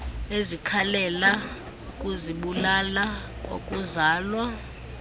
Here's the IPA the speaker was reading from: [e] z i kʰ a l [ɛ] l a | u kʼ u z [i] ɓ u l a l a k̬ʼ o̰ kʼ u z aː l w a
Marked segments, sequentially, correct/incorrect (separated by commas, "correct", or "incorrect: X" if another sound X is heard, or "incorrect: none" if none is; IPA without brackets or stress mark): correct, correct, correct